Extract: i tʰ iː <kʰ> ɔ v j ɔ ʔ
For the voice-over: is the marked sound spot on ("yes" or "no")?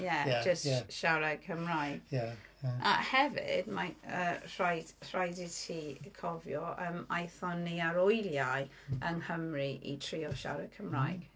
yes